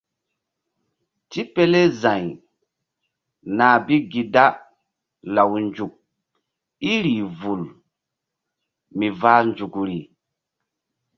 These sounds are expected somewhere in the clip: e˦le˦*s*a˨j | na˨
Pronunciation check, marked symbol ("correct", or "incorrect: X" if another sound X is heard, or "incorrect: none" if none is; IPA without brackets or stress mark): incorrect: z